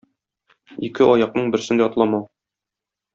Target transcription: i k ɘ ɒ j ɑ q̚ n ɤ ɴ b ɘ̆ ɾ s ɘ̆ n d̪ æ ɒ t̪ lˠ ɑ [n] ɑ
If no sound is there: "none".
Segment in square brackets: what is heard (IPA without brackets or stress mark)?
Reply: m